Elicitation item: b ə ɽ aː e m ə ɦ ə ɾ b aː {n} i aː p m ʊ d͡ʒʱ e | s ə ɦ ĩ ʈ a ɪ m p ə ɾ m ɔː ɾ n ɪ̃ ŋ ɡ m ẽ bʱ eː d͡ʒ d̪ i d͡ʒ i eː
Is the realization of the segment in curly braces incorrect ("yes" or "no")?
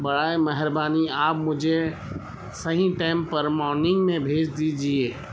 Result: no